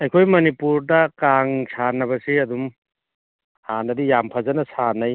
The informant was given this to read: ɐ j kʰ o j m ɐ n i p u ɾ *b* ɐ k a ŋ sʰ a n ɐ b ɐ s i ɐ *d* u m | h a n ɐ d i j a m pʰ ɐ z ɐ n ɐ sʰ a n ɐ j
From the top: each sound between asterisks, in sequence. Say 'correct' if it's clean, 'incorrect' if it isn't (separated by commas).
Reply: incorrect, correct